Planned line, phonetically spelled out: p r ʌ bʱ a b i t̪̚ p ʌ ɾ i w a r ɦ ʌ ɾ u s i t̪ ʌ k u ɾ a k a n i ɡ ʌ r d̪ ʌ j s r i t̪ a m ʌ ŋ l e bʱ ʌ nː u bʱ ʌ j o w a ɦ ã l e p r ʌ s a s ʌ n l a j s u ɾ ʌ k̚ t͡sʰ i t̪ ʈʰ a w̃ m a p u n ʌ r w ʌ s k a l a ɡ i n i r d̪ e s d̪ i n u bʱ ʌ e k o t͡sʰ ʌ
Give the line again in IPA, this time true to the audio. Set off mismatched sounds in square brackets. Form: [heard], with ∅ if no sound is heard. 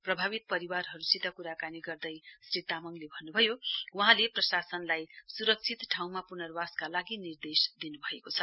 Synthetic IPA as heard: p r ʌ bʱ a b i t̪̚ p ʌ ɾ i w a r ɦ ʌ ɾ u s i t̪ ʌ k u ɾ a k a n i ɡ ʌ r d̪ ʌ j s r i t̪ a m ʌ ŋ l e bʱ ʌ nː u bʱ ʌ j o w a ɦ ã l e p r ʌ s a s ʌ n l a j s u ɾ ʌ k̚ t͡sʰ i t̪ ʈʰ a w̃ m a p u n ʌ r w [a] s k a l a ɡ i n i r d̪ e s d̪ i n u bʱ ʌ e k o t͡sʰ ʌ

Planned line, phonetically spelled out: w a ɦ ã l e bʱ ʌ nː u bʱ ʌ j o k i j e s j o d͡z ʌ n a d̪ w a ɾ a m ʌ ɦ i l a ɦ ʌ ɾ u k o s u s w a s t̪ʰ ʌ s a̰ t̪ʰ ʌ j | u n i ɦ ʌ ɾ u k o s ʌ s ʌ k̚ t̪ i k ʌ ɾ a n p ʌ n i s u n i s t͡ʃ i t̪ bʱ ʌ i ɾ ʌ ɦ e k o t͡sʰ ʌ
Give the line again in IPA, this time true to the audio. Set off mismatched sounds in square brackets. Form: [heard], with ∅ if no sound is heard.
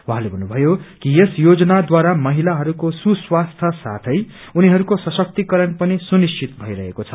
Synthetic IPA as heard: w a ɦ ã l e bʱ ʌ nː u bʱ ʌ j o k i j e s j o d͡z ʌ n a d̪ w a ɾ a m ʌ ɦ i l a ɦ ʌ ɾ u k o s u s w a s t̪ʰ ʌ s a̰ t̪ʰ ʌ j | u n i ɦ ʌ ɾ u k o s ʌ s ʌ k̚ t̪ i k ʌ ɾ [ʌ] n p ʌ n i s u n i s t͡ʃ i t̪ bʱ ʌ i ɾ ʌ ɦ e k o t͡sʰ ʌ

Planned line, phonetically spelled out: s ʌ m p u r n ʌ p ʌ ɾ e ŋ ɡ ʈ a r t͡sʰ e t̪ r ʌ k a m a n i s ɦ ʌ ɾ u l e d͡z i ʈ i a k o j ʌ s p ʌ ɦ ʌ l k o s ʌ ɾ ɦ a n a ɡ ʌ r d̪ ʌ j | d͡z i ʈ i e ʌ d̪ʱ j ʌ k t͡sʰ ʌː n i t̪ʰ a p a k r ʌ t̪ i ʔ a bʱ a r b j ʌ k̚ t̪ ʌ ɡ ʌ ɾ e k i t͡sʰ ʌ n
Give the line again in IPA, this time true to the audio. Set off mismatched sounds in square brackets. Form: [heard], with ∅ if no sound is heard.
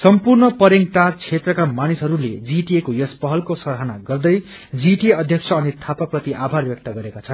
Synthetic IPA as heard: s ʌ m p u r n ʌ p ʌ ɾ e ŋ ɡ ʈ a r t͡sʰ e t̪ r ʌ k a m a n i s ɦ ʌ ɾ u l e d͡z i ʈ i [e] k o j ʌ s p ʌ ɦ ʌ l k o s ʌ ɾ ɦ a n a ɡ ʌ r d̪ ʌ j | d͡z i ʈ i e ʌ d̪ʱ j ʌ k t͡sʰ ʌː n i t̪ʰ a p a [p] r ʌ t̪ i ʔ a bʱ a r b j ʌ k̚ t̪ ʌ ɡ ʌ ɾ e k [a] t͡sʰ ʌ n

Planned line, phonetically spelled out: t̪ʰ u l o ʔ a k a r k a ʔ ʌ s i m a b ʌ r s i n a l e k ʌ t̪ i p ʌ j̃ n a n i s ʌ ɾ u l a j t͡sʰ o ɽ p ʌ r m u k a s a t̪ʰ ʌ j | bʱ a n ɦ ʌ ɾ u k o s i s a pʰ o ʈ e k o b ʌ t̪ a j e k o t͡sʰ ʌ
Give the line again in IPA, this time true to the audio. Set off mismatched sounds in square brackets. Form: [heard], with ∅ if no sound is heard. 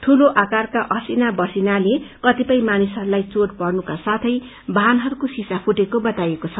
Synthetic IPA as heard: t̪ʰ u l o ʔ a k a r k a ʔ ʌ s i [n] a b ʌ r s i n a l e k ʌ t̪ i p ʌ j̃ [m] a n i s ʌ ɾ u l a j [t͡s] o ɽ p ʌ r [n] u k a s a t̪ʰ ʌ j | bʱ a n ɦ ʌ ɾ u k o s i s a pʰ [u] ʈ e k o b ʌ t̪ a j e k o t͡sʰ ʌ

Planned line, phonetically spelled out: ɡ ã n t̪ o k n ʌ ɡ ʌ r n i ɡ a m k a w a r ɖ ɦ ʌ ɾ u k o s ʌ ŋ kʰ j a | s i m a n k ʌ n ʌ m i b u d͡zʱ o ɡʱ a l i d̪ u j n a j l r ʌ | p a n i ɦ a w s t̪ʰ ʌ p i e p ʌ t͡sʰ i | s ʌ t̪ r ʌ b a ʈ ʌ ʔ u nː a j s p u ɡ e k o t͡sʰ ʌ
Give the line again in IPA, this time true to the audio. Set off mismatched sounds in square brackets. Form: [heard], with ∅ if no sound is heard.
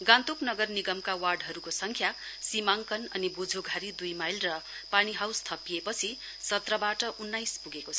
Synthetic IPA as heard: ɡ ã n t̪ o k n ʌ ɡ ʌ r n i ɡ [ʌ] m k a w a r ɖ ɦ ʌ ɾ u k o s ʌ ŋ kʰ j a | s i m a [ŋ] k ʌ n ʌ [n] i b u d͡zʱ o ɡʱ a [ɾ] i d̪ u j [m] a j l r ʌ | p a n i ɦ a w s t̪ʰ ʌ p i e p ʌ t͡sʰ i | s ʌ t̪ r ʌ b a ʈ ʌ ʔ u nː a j s p u ɡ e k o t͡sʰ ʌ

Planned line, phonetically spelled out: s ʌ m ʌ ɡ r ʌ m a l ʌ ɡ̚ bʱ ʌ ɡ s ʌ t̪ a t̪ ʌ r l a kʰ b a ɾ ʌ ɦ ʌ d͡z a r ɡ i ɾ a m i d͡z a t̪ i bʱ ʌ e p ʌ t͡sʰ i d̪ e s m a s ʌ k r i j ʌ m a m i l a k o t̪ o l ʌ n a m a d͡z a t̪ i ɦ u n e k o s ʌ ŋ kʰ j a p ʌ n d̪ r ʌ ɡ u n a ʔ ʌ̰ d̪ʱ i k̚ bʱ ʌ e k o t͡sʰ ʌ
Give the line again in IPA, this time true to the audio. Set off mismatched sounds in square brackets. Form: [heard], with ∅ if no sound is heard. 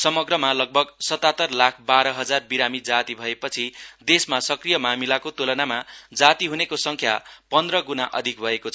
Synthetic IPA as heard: s ʌ m ʌ ɡ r ʌ m a l ʌ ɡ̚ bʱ ʌ ɡ s ʌ t̪ a t̪ ʌ r l a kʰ b a ɾ ʌ ɦ ʌ d͡z a r [b] i ɾ a m i d͡z a t̪ i bʱ ʌ e p ʌ t͡sʰ i d̪ e s m a s ʌ k r i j ʌ m a m i l a k o t̪ o l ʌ n a m a d͡z a t̪ i ɦ u n e k o s ʌ ŋ kʰ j a p ʌ n d̪ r ʌ ɡ u n a ʔ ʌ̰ d̪ʱ i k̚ bʱ ʌ e k o t͡sʰ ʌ

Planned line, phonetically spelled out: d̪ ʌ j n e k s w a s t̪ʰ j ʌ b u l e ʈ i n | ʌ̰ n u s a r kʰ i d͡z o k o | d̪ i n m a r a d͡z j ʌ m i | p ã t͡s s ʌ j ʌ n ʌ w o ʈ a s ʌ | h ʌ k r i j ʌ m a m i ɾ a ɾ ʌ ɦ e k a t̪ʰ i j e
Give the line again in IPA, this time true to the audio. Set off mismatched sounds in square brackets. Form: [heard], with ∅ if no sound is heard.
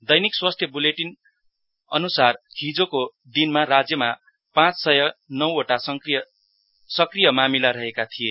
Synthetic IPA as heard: d̪ ʌ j n [i] k s w a s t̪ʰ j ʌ b u l e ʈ i n | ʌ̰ n u s a r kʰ i d͡z o k o | d̪ i n m a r a d͡z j ʌ m [a] | p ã t͡s s ʌ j ʌ n ʌ w o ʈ a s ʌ | [s] ʌ k r i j ʌ m a m i [l] a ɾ ʌ ɦ e k a t̪ʰ i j e

